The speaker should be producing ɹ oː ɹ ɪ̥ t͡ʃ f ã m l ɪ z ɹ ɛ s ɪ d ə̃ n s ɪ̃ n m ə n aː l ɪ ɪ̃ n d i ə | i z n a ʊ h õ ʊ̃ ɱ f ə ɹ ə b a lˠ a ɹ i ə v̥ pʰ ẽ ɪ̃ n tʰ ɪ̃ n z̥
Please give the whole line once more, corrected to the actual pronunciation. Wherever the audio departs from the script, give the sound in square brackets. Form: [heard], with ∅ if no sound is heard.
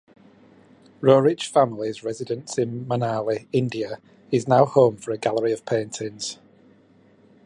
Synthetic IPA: ɹ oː ɹ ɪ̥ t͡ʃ f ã m l ɪ z ɹ ɛ [z] ɪ d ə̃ n s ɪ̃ n m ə n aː l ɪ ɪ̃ n d i ə | [ɪ] z n a ʊ h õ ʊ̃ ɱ f ə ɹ ə [ɡ] a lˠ [ə] ɹ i ə v̥ pʰ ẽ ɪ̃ n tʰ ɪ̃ n z̥